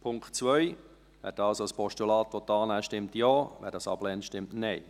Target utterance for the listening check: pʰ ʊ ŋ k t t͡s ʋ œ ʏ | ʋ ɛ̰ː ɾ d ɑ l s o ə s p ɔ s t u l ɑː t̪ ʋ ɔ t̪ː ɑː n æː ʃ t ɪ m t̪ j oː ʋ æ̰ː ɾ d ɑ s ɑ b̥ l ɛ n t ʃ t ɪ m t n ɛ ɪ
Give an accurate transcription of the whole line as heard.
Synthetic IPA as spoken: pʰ ʊ ŋ k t t͡s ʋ œ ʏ | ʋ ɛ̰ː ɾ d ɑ l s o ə s p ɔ ʃ t u l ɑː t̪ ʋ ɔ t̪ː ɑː n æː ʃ t ɪ m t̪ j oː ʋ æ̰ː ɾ d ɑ s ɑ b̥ l ɛ n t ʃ t ɪ m t n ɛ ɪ